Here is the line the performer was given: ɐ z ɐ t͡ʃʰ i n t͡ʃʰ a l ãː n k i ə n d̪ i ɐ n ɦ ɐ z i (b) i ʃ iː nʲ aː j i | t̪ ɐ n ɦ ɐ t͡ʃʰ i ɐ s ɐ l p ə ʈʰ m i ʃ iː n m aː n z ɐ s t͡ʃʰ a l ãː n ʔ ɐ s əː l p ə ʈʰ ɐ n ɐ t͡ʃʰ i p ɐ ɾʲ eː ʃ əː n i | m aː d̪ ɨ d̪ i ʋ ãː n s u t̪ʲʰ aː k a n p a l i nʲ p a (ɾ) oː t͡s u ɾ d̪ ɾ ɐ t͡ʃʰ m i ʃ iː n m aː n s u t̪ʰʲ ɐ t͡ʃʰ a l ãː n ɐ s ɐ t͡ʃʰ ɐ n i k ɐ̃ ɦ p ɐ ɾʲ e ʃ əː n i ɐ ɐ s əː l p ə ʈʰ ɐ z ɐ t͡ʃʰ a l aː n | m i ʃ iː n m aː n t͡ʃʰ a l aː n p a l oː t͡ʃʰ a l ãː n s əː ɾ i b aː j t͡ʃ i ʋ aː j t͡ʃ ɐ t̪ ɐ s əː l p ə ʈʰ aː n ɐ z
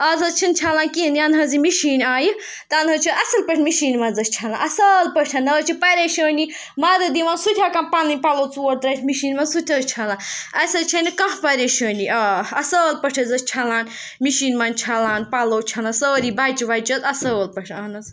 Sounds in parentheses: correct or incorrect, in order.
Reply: incorrect, incorrect

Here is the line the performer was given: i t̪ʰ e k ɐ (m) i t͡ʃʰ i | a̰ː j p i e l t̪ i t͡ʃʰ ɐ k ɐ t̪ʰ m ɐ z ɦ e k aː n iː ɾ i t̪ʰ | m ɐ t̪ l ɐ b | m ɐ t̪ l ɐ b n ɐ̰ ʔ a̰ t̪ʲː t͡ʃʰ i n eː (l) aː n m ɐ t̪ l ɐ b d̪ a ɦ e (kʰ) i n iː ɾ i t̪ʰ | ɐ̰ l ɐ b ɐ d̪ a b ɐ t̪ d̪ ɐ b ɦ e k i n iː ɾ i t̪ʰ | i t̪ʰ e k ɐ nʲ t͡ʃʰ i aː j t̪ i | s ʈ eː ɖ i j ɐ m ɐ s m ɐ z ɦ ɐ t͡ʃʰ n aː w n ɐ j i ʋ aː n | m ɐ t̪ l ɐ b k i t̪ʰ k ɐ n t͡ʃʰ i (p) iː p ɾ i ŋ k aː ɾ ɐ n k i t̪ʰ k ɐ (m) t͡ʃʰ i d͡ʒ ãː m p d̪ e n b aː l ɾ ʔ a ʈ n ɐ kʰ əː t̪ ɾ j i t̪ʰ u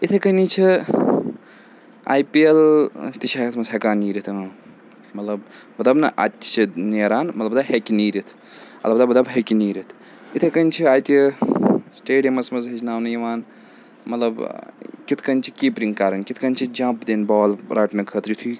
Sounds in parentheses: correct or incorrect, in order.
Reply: incorrect, incorrect, incorrect, incorrect, incorrect

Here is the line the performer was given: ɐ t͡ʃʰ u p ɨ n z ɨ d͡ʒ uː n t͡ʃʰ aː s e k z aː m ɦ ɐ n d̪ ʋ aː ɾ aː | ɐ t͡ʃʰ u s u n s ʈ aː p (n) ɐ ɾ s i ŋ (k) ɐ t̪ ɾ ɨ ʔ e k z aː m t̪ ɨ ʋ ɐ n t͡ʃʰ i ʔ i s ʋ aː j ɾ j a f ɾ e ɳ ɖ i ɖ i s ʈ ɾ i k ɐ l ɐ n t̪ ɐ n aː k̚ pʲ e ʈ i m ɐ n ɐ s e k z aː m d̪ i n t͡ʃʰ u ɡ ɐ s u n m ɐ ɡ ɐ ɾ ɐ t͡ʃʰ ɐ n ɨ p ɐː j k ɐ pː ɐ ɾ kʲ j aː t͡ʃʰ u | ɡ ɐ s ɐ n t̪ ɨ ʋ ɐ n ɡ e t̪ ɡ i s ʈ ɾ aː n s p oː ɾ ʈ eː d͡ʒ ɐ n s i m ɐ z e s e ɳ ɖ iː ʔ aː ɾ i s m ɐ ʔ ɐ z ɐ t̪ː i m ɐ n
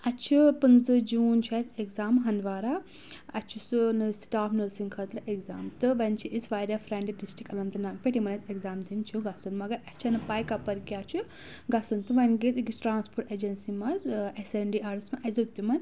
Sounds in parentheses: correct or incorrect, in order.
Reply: correct, incorrect

